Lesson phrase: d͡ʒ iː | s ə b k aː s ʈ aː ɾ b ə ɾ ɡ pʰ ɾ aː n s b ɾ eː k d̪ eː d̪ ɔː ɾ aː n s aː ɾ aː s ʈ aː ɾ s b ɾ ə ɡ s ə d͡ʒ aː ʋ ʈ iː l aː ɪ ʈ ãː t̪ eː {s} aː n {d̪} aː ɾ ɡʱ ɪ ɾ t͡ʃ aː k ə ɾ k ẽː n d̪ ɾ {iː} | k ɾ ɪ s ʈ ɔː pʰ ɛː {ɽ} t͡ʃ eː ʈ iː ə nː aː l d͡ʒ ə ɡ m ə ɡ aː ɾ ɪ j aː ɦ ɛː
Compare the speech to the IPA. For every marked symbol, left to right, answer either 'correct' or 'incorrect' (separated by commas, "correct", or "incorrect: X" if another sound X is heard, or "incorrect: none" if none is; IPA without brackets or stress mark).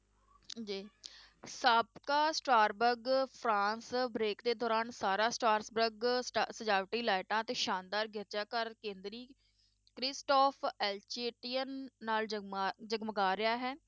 incorrect: ʃ, correct, correct, incorrect: l